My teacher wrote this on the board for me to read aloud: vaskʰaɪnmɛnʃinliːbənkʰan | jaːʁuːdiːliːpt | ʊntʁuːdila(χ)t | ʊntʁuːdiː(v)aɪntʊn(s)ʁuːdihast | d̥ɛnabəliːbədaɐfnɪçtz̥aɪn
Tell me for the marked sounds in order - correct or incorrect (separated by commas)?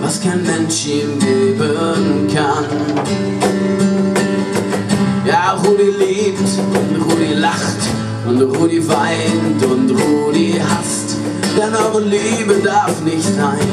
correct, correct, incorrect